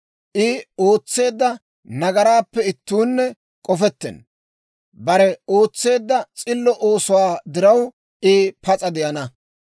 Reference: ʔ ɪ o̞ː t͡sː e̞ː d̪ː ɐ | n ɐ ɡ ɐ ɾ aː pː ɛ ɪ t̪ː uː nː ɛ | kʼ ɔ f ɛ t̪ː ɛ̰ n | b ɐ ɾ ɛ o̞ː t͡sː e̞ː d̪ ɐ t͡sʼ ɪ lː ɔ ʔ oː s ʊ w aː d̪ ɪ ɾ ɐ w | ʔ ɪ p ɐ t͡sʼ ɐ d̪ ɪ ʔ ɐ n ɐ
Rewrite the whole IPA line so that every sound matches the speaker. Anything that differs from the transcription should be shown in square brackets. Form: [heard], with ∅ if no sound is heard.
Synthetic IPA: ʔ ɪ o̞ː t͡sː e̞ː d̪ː ɐ | n ɐ ɡ ɐ ɾ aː pː ɛ ɪ t̪ː uː nː ɛ | kʼ ɔ f ɛ t̪ː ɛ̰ n | b ɐ ɾ ɛ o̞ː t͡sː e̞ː [d̪ː] ɐ t͡sʼ ɪ lː ɔ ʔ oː s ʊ w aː d̪ ɪ ɾ ɐ w | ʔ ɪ p ɐ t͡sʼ ɐ d̪ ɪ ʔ ɐ n ɐ